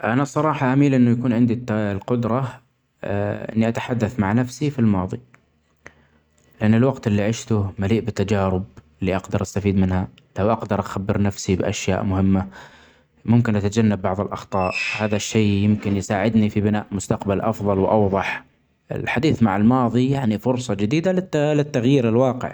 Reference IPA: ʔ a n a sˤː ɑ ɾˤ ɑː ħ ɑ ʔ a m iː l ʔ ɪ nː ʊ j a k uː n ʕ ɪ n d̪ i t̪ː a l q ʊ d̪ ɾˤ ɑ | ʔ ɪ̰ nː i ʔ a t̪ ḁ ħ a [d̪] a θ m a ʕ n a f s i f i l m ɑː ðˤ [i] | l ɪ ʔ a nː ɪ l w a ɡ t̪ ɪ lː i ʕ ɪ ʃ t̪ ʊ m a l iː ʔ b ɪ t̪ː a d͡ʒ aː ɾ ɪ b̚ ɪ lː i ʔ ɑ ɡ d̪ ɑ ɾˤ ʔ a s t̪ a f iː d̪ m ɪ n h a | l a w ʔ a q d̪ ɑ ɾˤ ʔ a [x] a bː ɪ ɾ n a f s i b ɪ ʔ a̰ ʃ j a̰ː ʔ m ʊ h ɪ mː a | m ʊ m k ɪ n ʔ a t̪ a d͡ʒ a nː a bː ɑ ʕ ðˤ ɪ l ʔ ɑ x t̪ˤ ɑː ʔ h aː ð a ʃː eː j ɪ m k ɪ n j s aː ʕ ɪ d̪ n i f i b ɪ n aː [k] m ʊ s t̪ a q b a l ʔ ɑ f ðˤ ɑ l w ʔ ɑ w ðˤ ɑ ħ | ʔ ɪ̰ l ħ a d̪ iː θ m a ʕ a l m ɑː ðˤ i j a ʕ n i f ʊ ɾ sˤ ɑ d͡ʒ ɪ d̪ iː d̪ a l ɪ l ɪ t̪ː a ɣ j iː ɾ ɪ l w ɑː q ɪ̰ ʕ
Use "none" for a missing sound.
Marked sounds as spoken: d̪ː, i, x, ʔ

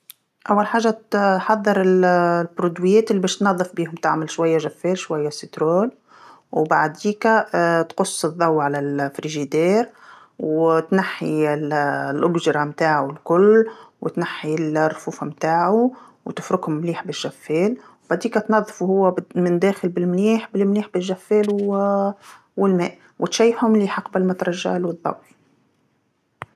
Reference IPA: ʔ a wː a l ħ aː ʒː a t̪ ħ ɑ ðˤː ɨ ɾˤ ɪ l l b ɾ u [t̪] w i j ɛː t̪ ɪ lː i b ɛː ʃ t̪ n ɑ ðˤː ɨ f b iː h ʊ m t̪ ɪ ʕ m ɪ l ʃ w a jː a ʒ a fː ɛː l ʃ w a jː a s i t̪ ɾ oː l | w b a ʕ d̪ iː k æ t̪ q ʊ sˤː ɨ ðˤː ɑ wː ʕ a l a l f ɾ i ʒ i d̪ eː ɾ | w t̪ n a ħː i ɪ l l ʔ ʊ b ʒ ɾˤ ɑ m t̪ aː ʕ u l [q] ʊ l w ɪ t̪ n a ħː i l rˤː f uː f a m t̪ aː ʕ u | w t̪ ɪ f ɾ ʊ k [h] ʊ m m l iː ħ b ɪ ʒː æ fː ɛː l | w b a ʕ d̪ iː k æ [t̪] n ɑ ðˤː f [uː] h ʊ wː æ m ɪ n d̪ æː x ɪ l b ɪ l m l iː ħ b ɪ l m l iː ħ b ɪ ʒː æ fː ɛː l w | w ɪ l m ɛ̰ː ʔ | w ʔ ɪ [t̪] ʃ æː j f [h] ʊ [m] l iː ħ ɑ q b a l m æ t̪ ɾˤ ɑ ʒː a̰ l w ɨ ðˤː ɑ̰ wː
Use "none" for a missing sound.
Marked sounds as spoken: d̪, k, h, t̪, u, t̪, h, m

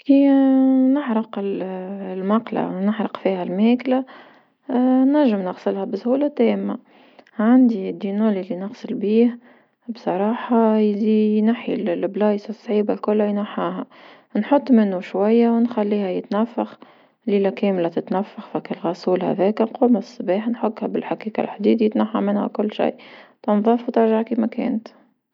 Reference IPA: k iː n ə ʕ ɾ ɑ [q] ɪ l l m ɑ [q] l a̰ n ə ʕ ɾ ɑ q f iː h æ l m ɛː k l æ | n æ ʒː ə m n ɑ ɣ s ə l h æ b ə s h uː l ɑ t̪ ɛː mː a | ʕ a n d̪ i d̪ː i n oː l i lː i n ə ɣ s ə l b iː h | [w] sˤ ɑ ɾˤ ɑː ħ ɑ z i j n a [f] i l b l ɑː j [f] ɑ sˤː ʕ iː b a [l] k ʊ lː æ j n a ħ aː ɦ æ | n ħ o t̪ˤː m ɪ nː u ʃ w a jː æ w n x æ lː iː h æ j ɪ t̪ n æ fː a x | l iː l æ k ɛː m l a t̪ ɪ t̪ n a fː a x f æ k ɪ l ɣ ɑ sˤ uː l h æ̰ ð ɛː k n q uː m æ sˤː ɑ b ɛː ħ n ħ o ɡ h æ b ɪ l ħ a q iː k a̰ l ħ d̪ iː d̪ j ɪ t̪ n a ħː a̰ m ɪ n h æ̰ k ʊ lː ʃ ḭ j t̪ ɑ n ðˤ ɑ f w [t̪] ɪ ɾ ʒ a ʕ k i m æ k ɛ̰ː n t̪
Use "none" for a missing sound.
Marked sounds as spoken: q, q, b, ħ, s, l, t̪

